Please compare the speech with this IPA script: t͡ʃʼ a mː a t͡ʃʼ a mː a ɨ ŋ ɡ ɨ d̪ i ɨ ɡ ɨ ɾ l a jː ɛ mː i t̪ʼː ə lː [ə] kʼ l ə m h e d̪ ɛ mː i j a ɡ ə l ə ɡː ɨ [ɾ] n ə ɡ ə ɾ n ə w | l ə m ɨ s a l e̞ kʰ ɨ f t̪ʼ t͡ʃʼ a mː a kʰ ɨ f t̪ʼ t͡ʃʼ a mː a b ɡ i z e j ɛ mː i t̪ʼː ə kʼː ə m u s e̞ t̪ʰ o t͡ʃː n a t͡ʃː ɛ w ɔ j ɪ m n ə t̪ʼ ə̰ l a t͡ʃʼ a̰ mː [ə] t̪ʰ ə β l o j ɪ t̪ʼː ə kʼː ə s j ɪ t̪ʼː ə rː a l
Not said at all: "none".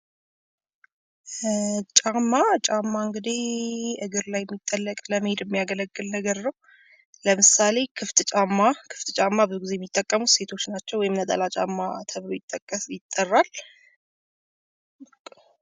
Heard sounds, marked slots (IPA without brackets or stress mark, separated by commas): ə, l, a